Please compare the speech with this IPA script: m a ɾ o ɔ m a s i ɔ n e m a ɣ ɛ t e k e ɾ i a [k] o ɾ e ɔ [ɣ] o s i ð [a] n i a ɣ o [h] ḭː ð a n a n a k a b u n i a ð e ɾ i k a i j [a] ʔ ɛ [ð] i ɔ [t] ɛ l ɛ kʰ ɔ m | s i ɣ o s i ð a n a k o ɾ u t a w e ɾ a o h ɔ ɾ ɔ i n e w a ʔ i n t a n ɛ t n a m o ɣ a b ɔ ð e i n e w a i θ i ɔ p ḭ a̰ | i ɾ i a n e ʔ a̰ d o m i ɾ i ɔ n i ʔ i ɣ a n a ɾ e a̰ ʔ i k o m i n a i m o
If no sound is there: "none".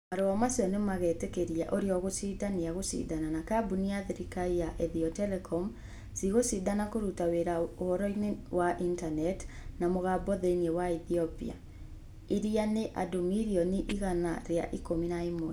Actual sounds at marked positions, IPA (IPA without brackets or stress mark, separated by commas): ʔ, ɣ, a, s, a, ð, t